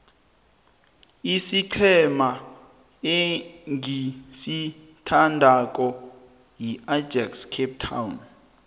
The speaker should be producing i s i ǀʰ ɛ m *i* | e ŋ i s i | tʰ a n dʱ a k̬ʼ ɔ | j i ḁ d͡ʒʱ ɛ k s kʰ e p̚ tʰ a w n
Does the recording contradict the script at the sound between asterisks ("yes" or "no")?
yes